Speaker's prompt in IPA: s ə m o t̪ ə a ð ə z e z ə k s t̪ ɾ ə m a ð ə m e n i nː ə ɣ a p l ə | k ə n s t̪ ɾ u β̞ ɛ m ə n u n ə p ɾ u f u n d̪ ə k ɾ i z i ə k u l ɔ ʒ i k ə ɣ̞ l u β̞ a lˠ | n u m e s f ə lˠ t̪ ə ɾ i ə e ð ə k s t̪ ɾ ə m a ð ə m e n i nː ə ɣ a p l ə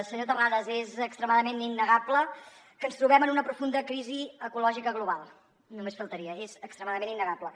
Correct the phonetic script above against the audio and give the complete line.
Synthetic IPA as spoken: s ə ɲ o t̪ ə a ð ə z e z ə k s t̪ ɾ ə m a ð ə m e n i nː ə ɣ a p l ə | k ə n s t̪ ɾ u β̞ ɛ m ə n u n ə p ɾ u f u n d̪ ə k ɾ i z i ə k u l ɔ ʒ i k ə ɣ̞ l u β̞ a lˠ | n u m e s f ə lˠ t̪ ə ɾ i ə e z ə k s t̪ ɾ ə m a ð ə m e n i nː ə ɣ a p l ə

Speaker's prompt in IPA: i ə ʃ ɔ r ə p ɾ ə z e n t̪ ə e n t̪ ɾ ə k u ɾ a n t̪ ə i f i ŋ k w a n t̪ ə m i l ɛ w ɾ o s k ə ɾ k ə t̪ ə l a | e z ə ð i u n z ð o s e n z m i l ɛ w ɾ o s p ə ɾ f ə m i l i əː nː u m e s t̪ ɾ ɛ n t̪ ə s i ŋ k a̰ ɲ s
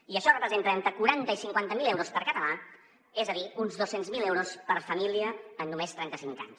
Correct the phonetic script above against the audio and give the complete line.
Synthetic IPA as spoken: i ə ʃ ɔ r ə p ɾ ə z e n t̪ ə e n t̪ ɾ ə k u ɾ a n t̪ ə i s i ŋ k w a n t̪ ə m i l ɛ w ɾ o s p ə ɾ k ə t̪ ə l a | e z ə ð i u n z ð o s e n z m i l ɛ w ɾ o s p ə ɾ f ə m i l i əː nː u m e s t̪ ɾ ɛ n t̪ ə s i ŋ k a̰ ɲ s

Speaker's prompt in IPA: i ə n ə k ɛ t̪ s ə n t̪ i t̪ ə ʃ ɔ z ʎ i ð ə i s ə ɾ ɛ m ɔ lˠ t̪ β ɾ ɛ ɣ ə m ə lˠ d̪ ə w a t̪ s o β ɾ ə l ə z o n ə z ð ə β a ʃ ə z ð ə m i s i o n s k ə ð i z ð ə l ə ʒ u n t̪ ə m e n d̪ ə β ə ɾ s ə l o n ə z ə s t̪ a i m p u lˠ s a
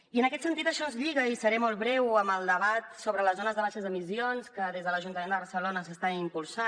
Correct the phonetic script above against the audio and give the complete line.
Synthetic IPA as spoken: i ə n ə k ɛ t̪ s ə n t̪ i t̪ ə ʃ ɔ z ʎ i ɣ ə i s ə ɾ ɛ m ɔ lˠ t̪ β ɾ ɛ w ə m ə lˠ d̪ ə β a t̪ s o β ɾ ə l ə z o n ə z ð ə β a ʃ ə z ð ə m i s i o n s k ə ð e z ð ə l ə ʒ u n t̪ ə m e n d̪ ə β ə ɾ s ə l o n ə s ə s t̪ a i m p u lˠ s a

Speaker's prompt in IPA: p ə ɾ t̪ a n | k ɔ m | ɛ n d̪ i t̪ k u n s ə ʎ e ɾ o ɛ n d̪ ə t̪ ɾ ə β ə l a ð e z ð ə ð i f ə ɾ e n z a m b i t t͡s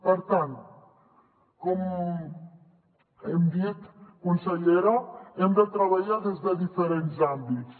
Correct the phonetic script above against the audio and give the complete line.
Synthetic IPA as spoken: p ə ɾ t̪ a n | k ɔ m | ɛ m d̪ i t̪ k u n s ə ʎ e ɾ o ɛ m d̪ ə t̪ ɾ ə β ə ʎ a ð e z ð ə ð i f ə ɾ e n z a m b i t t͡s

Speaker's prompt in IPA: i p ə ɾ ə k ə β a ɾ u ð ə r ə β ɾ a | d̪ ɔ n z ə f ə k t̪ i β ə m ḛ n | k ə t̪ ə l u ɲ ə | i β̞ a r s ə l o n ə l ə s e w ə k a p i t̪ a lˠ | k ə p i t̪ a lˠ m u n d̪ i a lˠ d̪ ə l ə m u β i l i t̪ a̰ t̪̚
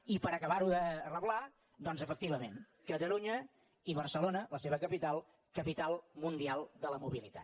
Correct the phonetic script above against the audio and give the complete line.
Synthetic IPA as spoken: i p ə ɾ ə k ə β a ɾ u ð ə r ə β l a | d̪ ɔ n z ə f ə k t̪ i β ə m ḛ n | k ə t̪ ə l u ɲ ə | i β̞ ə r s ə l o n ə l ə s e β ə k ə p i t̪ a lˠ | k ə p i t̪ a lˠ m u n d̪ i a lˠ d̪ ə l ə m u β i l i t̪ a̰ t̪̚

